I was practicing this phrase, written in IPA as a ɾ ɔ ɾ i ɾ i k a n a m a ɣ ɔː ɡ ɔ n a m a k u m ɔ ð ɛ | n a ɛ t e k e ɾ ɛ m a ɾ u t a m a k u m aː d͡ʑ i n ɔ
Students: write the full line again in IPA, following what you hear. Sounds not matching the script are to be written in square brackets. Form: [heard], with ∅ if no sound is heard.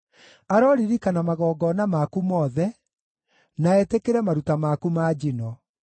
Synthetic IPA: a ɾ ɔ ɾ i ɾ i k a n a m a ɣ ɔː ɡ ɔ n a m a k u m ɔ ð ɛ | n a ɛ t e k e ɾ ɛ m a ɾ u t a m a k u m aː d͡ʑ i n ɔ